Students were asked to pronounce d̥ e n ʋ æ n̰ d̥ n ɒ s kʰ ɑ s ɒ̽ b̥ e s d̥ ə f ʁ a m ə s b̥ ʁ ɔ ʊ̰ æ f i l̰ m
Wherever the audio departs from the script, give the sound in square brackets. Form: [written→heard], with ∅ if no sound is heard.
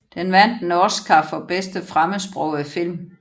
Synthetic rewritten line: d̥ e n ʋ æ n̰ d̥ n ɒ s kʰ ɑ [s→f] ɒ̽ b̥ e s d̥ ə f ʁ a m ə s b̥ ʁ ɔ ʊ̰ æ f i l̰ m